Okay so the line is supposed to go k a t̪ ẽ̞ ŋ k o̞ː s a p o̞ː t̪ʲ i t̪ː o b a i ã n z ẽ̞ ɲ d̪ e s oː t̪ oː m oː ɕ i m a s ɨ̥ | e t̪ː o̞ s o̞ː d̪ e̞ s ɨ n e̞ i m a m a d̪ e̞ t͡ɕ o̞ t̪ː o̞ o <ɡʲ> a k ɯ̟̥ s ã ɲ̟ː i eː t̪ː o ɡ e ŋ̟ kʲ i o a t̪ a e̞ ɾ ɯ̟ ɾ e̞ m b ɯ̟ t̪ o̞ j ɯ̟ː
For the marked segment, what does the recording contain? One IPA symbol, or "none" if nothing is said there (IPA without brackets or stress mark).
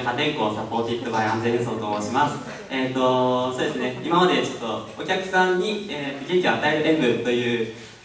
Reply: kʲ